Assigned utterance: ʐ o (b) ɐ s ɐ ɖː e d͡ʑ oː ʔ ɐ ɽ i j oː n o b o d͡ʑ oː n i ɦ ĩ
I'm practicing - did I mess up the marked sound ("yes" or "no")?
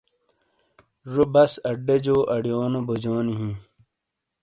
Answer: no